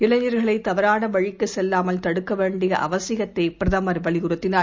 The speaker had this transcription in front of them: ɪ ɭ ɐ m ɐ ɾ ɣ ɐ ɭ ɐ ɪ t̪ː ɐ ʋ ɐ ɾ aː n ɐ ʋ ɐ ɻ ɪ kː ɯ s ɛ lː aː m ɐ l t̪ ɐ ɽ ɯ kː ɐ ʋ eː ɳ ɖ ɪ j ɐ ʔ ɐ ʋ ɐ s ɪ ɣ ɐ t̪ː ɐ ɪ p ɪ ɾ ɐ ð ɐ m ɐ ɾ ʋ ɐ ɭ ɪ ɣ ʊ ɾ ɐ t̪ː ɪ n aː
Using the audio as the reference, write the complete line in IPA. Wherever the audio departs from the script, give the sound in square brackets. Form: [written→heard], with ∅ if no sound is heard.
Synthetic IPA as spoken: ɪ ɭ ɐ [m→ɲ] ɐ ɾ ɣ ɐ ɭ ɐ ɪ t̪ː ɐ ʋ ɐ ɾ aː n ɐ ʋ ɐ ɻ ɪ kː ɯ s ɛ lː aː m ɐ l t̪ ɐ ɽ ɯ kː ɐ ʋ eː ɳ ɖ ɪ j ɐ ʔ ɐ ʋ ɐ s ɪ ɣ ɐ t̪ː ɐ ɪ p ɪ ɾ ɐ ð ɐ m ɐ ɾ ʋ ɐ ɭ ɪ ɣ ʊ ɾ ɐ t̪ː ɪ n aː